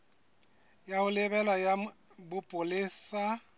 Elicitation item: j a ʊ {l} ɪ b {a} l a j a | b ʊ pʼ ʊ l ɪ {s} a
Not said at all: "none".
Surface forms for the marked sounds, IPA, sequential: l, ɛ, s

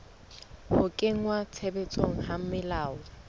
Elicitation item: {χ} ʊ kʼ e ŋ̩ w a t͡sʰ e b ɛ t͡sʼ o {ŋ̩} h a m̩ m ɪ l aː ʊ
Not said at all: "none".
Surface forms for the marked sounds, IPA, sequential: h, ŋ̩

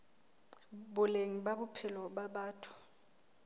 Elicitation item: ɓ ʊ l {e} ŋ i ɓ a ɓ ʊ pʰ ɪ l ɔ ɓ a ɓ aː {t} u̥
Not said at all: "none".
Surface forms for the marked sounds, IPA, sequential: e, tʰ

